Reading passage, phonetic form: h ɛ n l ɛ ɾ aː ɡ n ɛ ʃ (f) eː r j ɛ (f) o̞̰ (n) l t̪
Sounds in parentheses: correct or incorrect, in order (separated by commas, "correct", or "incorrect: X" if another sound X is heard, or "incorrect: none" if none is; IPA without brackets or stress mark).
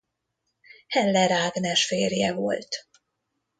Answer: correct, incorrect: v, incorrect: none